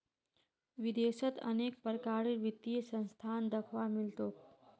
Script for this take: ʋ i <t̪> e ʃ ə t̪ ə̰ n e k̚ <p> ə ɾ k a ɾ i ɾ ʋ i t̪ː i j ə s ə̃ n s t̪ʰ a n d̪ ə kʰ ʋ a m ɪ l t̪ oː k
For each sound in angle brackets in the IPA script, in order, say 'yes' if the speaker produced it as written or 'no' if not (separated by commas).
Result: no, yes